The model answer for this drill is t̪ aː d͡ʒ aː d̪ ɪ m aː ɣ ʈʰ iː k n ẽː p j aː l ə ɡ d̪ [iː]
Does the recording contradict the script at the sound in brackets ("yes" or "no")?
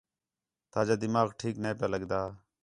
yes